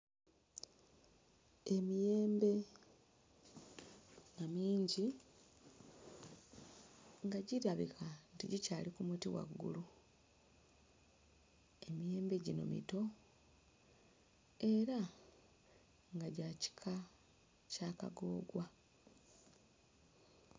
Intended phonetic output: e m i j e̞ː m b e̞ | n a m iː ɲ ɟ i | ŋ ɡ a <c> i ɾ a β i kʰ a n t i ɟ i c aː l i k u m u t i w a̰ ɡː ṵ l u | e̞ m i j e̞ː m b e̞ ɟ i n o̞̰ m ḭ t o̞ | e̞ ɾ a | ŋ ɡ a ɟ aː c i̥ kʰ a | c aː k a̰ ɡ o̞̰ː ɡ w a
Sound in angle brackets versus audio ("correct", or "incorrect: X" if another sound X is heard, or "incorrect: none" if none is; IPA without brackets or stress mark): incorrect: ɟ